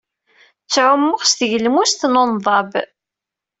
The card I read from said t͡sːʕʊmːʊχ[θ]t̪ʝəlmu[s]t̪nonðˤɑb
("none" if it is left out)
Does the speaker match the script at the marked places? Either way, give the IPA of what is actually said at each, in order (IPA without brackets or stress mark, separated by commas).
s, s